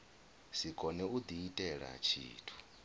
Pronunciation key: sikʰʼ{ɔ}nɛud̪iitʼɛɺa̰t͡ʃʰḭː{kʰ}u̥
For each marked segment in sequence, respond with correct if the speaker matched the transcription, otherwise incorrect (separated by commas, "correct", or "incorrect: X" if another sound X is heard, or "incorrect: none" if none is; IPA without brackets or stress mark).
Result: correct, incorrect: tʰ